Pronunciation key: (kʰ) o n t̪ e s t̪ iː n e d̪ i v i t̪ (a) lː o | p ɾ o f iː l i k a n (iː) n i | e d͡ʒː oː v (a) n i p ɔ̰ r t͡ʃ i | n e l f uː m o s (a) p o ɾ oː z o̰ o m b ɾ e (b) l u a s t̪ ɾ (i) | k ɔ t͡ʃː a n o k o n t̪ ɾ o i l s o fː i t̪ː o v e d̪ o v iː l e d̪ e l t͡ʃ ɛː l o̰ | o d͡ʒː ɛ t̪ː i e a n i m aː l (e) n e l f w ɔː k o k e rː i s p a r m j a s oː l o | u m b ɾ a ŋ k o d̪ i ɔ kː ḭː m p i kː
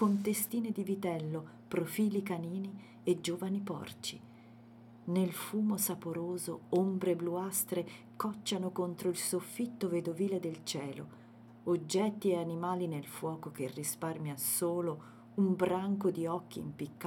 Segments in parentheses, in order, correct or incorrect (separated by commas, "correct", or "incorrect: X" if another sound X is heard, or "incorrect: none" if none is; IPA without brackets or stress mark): incorrect: k, incorrect: ɛ, correct, correct, correct, correct, incorrect: e, incorrect: i